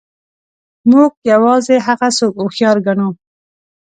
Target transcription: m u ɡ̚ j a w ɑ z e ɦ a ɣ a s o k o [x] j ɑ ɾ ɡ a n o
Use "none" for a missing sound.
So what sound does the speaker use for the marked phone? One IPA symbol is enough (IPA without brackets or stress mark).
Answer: x